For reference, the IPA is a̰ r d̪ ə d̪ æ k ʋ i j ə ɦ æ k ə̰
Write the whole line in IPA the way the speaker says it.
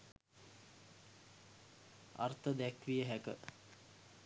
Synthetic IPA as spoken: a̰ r t̪ ə d̪ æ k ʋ i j ə ɦ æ k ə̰

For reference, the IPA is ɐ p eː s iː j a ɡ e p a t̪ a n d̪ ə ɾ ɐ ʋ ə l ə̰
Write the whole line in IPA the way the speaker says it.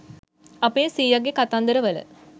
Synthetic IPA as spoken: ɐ p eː s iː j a ɡ e k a t̪ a n d̪ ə ɾ ə ʋ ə l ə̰

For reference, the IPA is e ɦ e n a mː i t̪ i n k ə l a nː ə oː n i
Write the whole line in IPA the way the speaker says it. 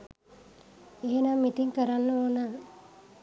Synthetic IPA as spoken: e ɦ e n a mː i t̪ i ŋ k ə ɾ a nː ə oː n a

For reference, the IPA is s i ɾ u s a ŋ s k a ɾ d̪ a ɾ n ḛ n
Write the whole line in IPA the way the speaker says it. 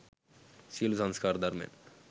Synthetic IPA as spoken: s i l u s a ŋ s k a ɾ d̪ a ɾ m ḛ n

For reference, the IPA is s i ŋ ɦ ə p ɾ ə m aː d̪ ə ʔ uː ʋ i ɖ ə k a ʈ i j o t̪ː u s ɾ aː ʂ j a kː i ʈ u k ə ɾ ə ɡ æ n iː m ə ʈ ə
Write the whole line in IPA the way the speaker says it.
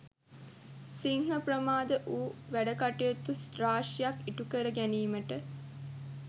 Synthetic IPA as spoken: s i ŋ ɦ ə p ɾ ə m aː d̪ ə ʔ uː ʋ æ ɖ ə k a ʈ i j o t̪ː u s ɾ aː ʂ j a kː i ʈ u k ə ɾ ə ɡ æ n iː m ə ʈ ə

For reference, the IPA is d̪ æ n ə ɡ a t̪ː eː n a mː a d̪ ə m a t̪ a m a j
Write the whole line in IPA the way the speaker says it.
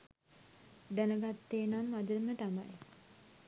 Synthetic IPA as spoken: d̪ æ n ə ɡ a t̪ː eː n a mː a d̪ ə m ə t̪ a m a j

